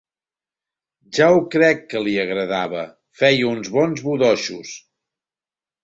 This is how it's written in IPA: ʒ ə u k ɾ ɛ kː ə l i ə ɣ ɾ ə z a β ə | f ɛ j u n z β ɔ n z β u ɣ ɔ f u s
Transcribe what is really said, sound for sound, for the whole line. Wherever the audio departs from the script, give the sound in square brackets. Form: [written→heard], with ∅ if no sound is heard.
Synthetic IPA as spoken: ʒ [ə→a] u k ɾ ɛ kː ə l i ə ɣ ɾ ə [z→ð] a β ə | f ɛ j u n z β ɔ n z β u [ɣ→ð] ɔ [f→ʃ] u s